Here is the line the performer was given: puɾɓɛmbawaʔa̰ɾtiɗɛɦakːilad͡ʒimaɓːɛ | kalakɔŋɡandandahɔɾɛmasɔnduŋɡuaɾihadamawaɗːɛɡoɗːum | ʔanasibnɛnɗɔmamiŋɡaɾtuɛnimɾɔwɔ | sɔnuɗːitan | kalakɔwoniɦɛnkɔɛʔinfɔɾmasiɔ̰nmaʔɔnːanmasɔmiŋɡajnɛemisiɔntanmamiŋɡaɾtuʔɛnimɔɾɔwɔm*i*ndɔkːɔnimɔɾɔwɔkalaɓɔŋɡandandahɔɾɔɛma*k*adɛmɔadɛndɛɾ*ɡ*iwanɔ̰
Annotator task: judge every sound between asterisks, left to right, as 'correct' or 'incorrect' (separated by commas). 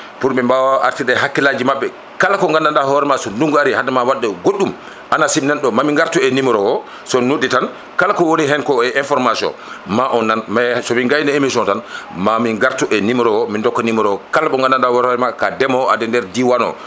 correct, correct, incorrect